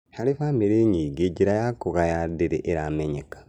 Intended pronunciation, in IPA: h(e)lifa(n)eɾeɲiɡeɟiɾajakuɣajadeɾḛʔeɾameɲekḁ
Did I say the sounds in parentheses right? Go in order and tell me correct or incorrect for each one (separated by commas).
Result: incorrect, incorrect